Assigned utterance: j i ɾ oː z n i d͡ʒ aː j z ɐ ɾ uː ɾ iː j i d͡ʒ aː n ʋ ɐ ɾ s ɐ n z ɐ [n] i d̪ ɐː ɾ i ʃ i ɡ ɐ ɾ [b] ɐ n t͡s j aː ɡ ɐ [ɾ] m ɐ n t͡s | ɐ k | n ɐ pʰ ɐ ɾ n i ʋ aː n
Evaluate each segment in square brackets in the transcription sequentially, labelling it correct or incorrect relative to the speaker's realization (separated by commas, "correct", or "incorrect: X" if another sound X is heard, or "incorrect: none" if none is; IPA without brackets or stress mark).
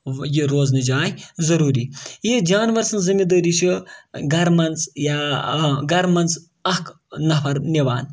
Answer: incorrect: m, incorrect: m, correct